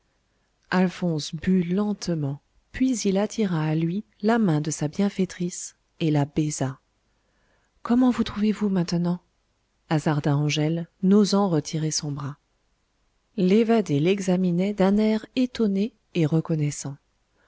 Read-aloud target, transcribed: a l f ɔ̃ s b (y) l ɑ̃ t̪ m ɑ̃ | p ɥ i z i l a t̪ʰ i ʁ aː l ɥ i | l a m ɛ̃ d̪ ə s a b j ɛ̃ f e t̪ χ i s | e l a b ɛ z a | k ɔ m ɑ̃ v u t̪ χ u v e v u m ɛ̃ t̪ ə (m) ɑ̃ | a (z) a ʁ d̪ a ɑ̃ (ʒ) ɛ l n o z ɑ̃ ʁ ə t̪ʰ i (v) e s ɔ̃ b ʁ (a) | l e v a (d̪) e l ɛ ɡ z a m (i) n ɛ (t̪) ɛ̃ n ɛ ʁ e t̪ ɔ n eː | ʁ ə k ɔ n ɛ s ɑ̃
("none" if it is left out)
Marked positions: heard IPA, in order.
y, n, z, ʒ, ʁ, a, d̪, i, d̪

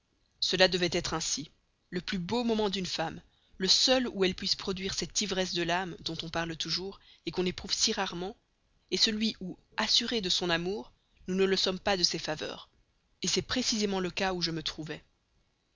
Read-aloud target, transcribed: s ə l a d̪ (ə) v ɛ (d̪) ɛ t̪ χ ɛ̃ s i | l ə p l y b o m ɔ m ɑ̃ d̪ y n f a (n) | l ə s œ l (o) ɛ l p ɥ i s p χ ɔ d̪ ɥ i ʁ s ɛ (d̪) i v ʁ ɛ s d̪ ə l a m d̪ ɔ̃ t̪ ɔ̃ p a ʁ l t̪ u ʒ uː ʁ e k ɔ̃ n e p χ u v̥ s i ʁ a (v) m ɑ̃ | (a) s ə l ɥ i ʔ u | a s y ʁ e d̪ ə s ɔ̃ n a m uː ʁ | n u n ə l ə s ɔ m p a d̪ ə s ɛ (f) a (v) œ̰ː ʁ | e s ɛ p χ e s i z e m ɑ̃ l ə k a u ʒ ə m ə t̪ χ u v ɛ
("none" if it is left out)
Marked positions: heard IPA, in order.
ə, t̪, m, u, t̪, ʁ, e, f, v

